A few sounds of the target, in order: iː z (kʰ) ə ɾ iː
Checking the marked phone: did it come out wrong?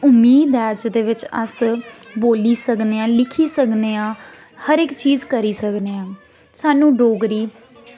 yes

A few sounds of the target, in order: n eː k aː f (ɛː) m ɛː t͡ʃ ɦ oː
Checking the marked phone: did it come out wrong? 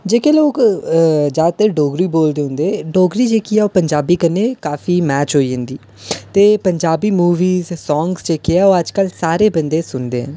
yes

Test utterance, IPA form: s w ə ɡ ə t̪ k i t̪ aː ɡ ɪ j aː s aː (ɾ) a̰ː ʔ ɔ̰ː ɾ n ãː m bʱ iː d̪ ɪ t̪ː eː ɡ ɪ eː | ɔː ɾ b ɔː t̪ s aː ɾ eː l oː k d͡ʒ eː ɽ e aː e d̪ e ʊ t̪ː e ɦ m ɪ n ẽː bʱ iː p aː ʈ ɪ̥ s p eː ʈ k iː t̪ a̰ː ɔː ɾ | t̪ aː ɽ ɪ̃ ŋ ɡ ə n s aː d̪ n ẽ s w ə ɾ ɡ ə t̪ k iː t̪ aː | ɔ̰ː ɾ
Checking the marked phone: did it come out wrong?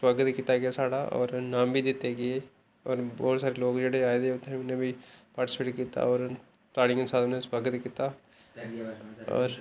yes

